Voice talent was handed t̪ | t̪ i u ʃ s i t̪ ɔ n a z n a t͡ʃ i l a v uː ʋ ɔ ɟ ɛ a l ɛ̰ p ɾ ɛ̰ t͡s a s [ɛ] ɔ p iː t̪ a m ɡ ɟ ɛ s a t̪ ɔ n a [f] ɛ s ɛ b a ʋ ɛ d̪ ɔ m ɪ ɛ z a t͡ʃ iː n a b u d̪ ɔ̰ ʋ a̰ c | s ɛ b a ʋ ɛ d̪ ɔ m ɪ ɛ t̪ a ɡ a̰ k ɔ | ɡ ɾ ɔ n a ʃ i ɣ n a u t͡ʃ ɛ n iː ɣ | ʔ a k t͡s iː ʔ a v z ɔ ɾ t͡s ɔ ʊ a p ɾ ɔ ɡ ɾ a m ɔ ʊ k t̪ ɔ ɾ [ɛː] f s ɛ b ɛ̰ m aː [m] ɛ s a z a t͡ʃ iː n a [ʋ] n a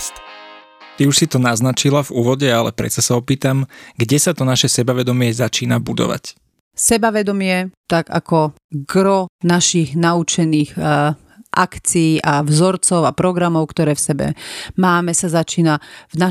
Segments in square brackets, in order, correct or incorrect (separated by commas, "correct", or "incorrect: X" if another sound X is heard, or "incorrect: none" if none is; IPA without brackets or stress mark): incorrect: a, incorrect: ʃ, correct, correct, incorrect: v